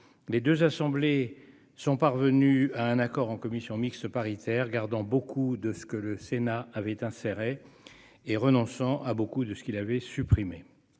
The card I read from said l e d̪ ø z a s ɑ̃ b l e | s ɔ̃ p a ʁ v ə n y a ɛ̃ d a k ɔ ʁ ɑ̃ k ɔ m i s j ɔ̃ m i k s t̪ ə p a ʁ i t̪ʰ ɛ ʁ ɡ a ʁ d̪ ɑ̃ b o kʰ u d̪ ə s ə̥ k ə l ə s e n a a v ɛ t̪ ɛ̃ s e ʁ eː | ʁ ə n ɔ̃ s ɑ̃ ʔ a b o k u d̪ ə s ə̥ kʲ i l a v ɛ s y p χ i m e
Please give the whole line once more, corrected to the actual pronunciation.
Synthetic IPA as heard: l e d̪ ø z a s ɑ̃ b l e | s ɔ̃ p a ʁ v ə n y a ɛ̃ n a k ɔ ʁ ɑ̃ k ɔ m i s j ɔ̃ m i k s t̪ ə p a ʁ i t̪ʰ ɛ ʁ ɡ a ʁ d̪ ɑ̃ b o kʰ u d̪ ə s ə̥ k ə l ə s e n a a v ɛ t̪ ɛ̃ s e ʁ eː | ʁ ə n ɔ̃ s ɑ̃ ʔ a b o k u d̪ ə s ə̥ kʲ i l a v ɛ s y p χ i m e